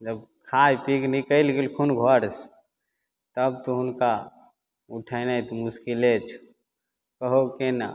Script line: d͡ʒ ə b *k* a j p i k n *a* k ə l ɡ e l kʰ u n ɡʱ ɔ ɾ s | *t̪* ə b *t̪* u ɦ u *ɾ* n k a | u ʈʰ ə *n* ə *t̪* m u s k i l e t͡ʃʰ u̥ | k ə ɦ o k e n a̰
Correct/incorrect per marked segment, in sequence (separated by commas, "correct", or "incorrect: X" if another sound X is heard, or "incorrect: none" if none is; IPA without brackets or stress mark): incorrect: kʰ, incorrect: i, correct, correct, incorrect: none, correct, correct